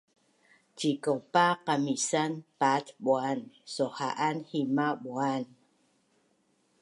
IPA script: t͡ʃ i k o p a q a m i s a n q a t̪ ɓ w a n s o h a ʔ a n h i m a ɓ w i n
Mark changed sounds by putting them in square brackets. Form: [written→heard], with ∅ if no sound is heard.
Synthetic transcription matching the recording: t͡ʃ i k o p a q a m i s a n [q→p] a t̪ ɓ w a n s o h a ʔ a n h i m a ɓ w [i→a] n